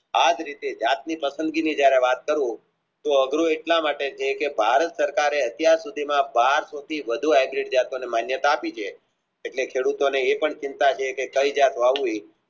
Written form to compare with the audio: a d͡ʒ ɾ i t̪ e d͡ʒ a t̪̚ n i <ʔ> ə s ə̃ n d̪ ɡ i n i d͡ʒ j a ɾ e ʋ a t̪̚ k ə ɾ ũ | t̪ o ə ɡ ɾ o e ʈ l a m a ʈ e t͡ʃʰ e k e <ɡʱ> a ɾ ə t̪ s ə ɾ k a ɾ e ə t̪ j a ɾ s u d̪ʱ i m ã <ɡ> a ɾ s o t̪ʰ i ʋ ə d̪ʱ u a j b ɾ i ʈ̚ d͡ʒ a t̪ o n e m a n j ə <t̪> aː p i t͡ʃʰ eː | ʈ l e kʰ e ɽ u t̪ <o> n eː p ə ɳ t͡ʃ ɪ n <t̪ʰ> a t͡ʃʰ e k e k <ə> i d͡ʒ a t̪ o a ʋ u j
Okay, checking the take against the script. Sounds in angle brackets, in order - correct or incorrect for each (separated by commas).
incorrect, incorrect, incorrect, correct, correct, incorrect, correct